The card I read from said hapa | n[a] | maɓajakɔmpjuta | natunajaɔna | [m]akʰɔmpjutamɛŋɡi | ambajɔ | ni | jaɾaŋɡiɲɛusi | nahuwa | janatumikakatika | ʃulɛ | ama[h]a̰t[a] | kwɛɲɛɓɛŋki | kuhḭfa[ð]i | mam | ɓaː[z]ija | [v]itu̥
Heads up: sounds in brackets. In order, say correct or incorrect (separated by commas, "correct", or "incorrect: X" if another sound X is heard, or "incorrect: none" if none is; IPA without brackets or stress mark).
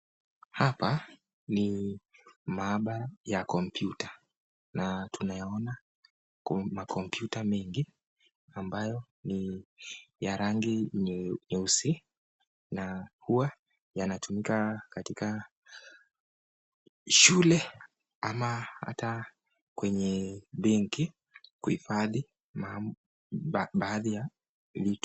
incorrect: i, correct, correct, correct, correct, incorrect: ð, correct